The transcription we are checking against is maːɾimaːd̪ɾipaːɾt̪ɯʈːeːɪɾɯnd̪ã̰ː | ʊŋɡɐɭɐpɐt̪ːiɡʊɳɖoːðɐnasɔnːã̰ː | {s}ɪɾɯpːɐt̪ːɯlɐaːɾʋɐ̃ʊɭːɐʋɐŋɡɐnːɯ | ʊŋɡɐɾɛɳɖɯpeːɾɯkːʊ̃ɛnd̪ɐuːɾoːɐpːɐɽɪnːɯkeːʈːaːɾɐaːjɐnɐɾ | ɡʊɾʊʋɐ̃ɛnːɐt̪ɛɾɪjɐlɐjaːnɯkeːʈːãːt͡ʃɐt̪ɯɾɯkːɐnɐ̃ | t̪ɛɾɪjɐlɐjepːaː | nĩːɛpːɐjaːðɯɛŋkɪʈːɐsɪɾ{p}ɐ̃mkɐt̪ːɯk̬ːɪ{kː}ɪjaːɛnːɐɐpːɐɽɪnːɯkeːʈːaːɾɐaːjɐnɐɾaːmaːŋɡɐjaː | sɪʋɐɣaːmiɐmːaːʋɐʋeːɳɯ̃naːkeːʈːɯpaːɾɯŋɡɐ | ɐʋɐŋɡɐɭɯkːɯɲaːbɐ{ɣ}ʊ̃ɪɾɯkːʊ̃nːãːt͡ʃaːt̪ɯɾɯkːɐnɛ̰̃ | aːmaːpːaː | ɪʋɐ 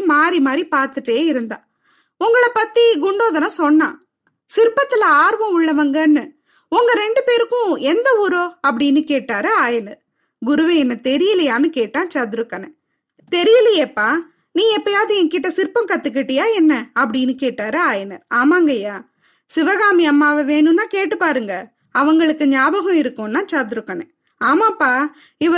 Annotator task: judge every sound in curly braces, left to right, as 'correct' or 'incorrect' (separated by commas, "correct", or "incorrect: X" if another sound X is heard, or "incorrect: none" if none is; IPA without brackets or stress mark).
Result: correct, correct, incorrect: ʈː, correct